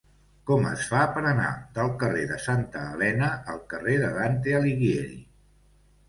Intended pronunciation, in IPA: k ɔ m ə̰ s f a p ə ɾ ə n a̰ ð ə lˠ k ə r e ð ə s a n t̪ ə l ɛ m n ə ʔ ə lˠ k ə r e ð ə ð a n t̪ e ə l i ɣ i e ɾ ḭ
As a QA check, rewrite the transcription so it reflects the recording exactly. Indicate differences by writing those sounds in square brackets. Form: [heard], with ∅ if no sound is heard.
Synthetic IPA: k ɔ m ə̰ s f a p ə ɾ ə n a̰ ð ə lˠ k ə r e ð ə s a n t̪ [əː] l ɛ [∅] n ə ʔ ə lˠ k ə r e ð ə ð a n t̪ e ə l i ɣ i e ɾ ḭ